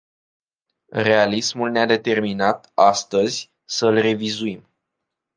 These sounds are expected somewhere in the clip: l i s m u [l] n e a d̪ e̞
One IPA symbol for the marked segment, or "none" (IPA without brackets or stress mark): l